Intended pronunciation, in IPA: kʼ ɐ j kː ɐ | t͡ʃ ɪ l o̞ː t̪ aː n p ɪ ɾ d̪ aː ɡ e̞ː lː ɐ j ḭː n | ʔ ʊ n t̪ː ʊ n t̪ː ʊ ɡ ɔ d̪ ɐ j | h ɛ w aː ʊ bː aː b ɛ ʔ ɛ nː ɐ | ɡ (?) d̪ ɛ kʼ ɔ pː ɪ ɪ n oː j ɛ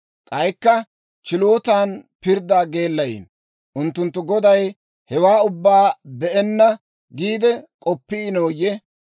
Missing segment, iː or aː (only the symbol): iː